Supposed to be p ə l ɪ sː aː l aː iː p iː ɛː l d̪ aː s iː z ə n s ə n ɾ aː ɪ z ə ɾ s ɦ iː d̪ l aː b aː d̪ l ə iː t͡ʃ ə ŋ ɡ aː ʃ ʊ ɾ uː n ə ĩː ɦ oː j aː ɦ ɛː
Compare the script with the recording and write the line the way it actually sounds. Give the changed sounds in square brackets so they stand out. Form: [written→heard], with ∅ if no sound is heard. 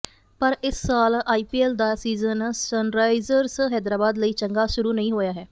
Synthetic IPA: p ə [l→ɾ] ɪ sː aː l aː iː p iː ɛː l d̪ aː s iː z ə n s ə n ɾ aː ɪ z ə ɾ s ɦ [iː→ɛː] d̪ [l→ɾ] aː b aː d̪ l ə iː t͡ʃ ə ŋ ɡ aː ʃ ʊ ɾ uː n ə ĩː ɦ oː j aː ɦ ɛː